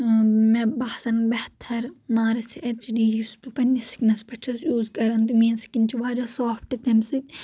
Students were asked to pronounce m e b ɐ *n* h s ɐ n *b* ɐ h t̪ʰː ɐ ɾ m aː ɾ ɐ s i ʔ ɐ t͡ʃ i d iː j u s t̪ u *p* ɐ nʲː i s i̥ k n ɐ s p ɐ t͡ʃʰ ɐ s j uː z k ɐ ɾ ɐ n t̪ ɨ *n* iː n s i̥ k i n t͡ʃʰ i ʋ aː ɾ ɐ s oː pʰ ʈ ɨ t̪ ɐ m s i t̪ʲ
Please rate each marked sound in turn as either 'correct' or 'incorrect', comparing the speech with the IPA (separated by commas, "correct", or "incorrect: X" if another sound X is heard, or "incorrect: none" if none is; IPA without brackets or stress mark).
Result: incorrect: none, correct, correct, incorrect: m